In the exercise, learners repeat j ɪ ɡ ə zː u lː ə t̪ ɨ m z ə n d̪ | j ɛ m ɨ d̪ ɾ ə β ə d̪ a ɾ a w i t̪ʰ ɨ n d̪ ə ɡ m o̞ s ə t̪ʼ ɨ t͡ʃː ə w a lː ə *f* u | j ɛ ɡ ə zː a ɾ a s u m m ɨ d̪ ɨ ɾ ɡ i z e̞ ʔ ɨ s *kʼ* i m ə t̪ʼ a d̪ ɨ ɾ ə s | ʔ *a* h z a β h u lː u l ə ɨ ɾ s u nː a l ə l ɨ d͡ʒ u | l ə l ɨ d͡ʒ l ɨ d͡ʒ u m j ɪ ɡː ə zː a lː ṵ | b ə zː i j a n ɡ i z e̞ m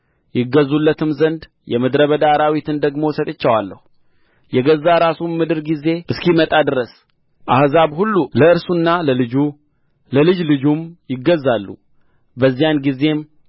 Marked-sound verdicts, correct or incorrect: incorrect: h, incorrect: k, correct

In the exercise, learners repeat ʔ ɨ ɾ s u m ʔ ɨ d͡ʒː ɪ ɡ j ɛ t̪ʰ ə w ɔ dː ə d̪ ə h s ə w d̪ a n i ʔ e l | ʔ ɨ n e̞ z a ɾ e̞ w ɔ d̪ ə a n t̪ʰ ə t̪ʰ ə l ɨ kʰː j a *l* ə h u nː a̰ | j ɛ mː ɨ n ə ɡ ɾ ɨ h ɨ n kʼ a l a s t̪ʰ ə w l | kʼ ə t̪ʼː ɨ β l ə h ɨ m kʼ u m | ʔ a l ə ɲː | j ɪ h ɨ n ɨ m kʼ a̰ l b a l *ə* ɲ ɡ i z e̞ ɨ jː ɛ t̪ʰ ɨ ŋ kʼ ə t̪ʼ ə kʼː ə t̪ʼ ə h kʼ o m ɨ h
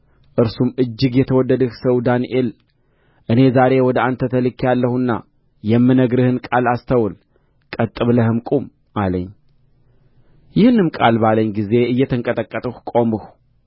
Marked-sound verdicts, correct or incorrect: incorrect: lː, correct

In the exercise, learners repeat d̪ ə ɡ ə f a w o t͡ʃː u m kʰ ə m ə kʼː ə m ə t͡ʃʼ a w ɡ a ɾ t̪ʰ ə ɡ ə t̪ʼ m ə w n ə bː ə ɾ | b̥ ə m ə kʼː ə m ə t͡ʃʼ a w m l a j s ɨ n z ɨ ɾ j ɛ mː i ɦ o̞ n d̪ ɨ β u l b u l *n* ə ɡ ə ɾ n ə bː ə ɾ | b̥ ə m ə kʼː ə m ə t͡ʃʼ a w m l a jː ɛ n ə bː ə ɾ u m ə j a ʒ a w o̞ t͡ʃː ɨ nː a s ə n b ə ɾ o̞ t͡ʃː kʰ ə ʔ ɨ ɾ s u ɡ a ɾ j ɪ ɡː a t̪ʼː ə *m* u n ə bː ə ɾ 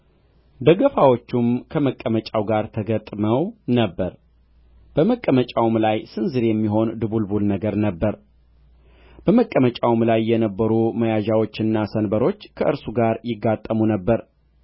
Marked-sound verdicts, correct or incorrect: correct, correct

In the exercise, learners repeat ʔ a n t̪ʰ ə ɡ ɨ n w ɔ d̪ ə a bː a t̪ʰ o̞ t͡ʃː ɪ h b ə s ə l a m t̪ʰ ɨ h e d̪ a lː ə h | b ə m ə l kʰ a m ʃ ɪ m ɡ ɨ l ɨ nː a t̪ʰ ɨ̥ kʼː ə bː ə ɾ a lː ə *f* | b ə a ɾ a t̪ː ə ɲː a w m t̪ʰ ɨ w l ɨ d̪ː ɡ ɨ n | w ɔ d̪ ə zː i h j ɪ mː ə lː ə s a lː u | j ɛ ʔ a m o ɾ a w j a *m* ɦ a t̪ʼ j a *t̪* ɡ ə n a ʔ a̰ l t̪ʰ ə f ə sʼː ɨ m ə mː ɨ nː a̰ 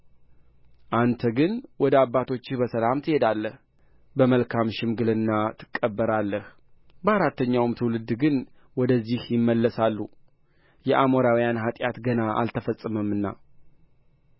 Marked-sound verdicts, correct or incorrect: incorrect: h, incorrect: n, correct

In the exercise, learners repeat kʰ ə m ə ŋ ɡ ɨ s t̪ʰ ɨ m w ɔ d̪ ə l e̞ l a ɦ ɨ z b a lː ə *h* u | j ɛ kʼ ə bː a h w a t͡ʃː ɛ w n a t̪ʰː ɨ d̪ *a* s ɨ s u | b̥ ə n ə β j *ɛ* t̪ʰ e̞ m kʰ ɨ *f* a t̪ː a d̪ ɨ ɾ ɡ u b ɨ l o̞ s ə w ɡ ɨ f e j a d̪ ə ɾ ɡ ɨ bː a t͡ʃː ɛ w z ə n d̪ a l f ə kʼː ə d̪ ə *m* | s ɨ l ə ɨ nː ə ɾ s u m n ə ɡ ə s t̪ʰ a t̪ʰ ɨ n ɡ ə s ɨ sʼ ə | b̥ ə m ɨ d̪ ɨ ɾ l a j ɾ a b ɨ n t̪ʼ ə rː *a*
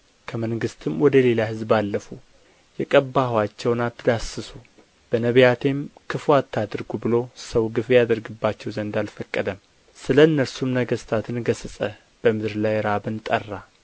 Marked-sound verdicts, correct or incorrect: incorrect: f, correct, incorrect: a, correct, correct, correct

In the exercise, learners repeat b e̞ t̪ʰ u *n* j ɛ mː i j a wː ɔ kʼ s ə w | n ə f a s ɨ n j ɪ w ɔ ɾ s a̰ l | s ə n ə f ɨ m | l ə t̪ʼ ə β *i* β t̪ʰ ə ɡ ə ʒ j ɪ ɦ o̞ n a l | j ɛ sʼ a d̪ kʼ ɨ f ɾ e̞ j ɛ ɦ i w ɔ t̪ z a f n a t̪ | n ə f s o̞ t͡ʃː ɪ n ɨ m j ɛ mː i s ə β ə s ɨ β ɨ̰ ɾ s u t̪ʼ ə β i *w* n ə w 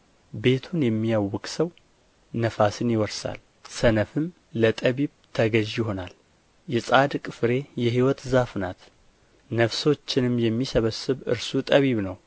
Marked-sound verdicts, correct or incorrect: correct, correct, incorrect: β

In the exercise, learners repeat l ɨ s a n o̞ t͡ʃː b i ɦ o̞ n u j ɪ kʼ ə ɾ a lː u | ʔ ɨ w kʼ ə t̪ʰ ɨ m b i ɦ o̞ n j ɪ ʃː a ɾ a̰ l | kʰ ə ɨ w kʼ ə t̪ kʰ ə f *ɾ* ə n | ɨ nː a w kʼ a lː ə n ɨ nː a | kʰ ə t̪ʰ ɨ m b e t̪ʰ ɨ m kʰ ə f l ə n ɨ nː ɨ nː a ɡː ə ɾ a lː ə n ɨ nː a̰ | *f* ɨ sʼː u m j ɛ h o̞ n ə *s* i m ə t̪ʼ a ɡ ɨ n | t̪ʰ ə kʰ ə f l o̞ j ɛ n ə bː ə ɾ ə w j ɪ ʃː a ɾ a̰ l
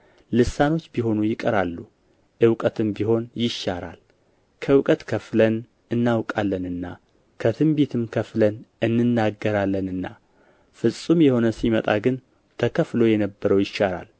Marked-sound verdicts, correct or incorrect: incorrect: l, correct, correct

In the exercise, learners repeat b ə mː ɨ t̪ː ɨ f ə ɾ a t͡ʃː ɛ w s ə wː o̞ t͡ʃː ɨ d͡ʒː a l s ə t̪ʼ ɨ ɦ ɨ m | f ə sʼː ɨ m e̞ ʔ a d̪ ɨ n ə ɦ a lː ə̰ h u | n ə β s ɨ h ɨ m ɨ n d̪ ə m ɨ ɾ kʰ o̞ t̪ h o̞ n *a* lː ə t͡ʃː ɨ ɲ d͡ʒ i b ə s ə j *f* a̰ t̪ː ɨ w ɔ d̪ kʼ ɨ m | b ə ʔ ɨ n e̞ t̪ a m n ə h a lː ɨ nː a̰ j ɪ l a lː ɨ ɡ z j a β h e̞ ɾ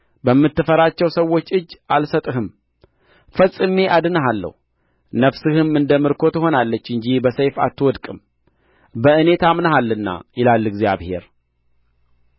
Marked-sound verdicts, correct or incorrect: correct, correct

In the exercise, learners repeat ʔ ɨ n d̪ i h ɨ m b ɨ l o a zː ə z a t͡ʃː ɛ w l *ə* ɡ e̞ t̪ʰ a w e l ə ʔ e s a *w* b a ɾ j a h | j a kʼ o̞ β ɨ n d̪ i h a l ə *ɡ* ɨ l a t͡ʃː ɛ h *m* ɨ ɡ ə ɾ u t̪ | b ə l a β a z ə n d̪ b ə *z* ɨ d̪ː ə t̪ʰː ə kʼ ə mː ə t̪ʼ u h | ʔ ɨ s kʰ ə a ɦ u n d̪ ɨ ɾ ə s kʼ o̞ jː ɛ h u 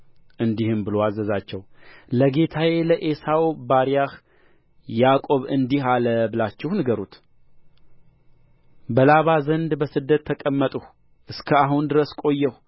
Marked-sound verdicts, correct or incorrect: correct, correct, incorrect: b, incorrect: n, incorrect: s

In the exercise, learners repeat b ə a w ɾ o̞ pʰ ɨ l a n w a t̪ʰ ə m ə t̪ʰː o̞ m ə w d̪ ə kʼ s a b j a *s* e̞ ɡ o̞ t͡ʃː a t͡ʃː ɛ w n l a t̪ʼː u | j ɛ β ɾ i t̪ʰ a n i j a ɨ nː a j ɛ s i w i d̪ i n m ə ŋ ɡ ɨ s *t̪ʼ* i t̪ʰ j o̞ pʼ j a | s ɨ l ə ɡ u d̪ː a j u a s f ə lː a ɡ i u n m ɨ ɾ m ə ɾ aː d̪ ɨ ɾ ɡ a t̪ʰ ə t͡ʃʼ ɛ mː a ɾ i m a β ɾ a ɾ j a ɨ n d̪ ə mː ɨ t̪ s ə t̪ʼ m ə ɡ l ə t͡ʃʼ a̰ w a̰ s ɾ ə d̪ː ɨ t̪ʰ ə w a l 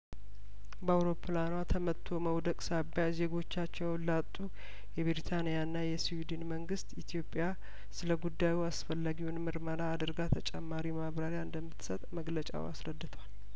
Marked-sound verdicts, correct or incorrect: incorrect: z, incorrect: t̪

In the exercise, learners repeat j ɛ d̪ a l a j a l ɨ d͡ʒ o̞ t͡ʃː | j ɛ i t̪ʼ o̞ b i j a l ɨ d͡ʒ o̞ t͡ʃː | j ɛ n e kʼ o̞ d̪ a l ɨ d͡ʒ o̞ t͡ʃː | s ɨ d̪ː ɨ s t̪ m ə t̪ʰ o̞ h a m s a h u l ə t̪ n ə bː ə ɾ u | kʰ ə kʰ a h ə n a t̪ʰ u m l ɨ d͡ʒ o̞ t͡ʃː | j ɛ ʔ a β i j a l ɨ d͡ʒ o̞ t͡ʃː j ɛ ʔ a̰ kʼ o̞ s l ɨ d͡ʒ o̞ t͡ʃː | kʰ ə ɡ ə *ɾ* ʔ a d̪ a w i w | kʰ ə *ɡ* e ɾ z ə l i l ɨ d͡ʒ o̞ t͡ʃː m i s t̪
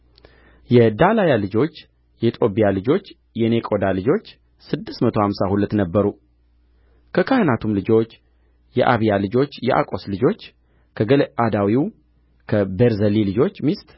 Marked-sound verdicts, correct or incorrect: incorrect: l, incorrect: b

